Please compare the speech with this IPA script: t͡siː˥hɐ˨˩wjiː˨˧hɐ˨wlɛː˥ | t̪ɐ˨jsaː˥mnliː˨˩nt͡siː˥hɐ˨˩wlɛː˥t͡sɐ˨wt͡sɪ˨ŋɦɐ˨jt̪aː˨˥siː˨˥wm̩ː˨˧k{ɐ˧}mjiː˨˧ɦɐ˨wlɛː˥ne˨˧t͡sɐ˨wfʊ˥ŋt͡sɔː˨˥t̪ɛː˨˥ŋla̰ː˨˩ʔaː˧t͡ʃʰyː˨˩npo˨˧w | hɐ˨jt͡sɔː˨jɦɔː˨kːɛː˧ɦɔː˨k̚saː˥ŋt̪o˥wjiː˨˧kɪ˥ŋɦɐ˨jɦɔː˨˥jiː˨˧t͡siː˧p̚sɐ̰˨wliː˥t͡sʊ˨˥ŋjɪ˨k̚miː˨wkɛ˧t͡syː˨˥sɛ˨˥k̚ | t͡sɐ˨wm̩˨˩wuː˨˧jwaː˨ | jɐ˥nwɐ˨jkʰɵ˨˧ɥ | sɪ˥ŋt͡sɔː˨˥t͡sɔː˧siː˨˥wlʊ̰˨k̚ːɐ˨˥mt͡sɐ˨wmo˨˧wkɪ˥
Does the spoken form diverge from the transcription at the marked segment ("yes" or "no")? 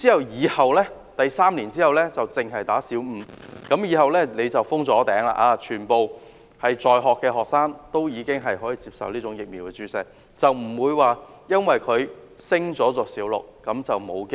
yes